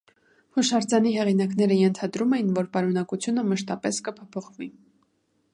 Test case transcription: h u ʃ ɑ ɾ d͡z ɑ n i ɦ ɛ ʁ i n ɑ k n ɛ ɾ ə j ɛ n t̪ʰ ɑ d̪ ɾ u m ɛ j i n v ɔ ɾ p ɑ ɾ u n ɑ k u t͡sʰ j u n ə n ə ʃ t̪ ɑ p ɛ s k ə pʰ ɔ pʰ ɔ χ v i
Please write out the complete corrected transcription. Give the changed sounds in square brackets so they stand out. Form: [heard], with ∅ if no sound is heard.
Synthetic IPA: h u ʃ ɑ ɾ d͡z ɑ n i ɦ ɛ ʁ i n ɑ k n ɛ ɾ ə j ɛ n t̪ʰ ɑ d̪ ɾ u m ɛ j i n v ɔ ɾ p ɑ ɾ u n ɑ k u t͡sʰ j u n ə [m] ə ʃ t̪ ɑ p ɛ s k ə pʰ ɔ pʰ ɔ χ v i